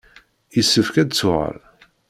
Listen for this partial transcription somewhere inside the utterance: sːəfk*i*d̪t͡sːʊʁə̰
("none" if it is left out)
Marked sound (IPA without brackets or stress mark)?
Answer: æ